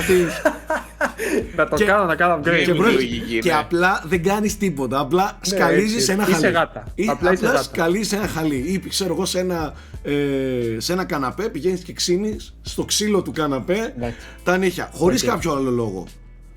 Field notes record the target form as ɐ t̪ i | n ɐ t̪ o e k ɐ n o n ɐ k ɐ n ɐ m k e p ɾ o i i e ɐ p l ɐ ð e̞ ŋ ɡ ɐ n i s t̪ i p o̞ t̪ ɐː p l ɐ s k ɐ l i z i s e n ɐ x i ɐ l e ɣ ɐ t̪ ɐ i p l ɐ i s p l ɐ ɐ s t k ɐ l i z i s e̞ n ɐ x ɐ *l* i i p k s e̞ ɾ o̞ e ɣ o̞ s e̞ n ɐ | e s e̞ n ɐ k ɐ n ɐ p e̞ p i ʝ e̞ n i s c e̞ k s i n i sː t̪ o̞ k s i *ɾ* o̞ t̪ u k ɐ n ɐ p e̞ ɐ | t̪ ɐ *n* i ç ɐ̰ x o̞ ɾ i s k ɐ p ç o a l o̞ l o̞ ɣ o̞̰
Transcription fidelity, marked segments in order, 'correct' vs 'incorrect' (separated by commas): correct, incorrect, correct